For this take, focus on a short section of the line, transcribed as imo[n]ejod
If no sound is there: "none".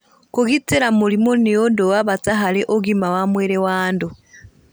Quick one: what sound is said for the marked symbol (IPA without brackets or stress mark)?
n